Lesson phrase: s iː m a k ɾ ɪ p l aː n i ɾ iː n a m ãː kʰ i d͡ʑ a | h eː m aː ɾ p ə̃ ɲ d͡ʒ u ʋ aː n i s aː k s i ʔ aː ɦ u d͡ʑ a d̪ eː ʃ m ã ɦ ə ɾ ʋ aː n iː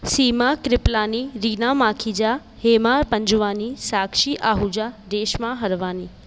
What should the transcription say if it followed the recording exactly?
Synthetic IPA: s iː m a k ɾ ɪ p l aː n i ɾ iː n a m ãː kʰ i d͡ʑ a | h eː m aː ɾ p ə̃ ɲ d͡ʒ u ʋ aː n i s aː k ʃ i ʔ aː ɦ u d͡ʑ a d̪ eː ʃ m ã ɦ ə ɾ ʋ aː n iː